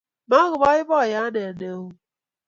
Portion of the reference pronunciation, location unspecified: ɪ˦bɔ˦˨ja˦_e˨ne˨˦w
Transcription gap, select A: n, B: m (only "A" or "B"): A